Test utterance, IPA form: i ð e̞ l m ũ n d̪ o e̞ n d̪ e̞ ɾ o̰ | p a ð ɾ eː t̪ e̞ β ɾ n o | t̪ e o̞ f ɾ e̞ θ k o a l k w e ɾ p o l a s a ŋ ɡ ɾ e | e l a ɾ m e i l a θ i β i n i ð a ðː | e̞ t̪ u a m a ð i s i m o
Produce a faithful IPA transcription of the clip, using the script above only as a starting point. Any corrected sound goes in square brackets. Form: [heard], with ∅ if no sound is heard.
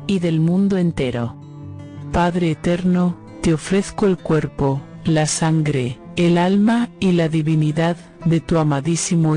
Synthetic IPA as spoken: i ð e̞ l m ũ n d̪ o e̞ n [t̪] e̞ ɾ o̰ | p a ð ɾ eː t̪ e̞ [∅] ɾ n o | t̪ e o̞ f ɾ e̞ θ k o [e] l k w e ɾ p o l a s a ŋ ɡ ɾ e | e l a [l] m [a] i l a [ð] i β i n i ð a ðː | e̞ t̪ u a m a ð i s i m o